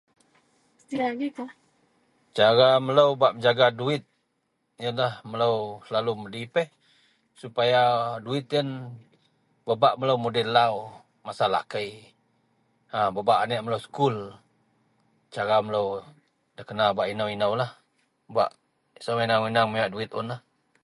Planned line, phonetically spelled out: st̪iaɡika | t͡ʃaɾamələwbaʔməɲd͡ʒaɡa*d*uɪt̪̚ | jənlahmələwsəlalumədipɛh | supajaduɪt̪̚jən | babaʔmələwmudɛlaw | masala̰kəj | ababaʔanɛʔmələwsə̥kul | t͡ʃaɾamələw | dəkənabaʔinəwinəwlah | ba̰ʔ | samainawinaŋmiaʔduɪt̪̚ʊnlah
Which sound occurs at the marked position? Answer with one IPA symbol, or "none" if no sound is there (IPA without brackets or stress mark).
d